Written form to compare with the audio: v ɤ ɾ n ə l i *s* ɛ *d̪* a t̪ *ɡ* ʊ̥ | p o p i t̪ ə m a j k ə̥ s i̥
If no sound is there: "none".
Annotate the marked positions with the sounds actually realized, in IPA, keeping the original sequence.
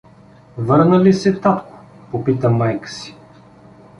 s, t̪, k

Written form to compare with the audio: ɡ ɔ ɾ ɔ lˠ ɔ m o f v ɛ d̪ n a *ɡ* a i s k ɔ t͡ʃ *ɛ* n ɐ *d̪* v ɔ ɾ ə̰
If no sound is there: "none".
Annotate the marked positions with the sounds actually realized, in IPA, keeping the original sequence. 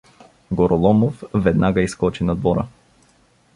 ɡ, i, d̪

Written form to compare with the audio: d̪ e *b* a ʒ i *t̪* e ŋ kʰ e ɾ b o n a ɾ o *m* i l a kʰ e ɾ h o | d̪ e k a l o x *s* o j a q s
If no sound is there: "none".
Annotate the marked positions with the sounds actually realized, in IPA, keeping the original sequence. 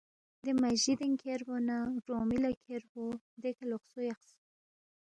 m, d̪, m, s

